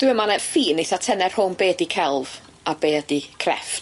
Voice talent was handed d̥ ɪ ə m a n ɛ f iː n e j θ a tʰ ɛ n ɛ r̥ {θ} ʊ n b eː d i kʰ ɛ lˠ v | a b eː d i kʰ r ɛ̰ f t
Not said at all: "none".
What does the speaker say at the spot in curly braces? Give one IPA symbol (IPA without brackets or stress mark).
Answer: h